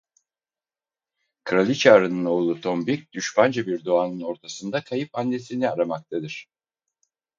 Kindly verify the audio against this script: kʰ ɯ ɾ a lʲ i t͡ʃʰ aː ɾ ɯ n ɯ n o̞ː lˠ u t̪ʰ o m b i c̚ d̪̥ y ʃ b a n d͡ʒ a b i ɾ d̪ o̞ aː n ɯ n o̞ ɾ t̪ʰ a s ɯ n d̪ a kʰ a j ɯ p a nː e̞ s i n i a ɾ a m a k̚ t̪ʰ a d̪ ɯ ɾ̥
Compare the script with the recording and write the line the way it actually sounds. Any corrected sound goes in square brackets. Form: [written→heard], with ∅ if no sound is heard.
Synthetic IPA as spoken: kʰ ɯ ɾ a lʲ i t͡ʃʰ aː ɾ ɯ n ɯ n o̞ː lˠ u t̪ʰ o m b i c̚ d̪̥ y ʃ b a n d͡ʒ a b i ɾ d̪ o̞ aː n ɯ n o̞ ɾ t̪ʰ a s ɯ n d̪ a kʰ a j ɯ p a nː e̞ s i n i a ɾ a m a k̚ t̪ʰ a d̪ ɯ ɾ̥